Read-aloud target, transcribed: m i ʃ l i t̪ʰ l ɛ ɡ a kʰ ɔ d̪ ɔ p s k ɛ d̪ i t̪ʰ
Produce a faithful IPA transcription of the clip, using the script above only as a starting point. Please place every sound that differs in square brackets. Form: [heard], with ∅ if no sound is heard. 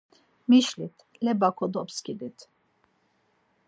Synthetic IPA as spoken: m i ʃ l i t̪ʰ l ɛ [b] a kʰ ɔ d̪ ɔ p s k [i] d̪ i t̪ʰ